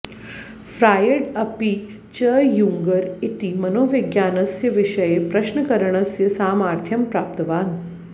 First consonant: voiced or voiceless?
voiceless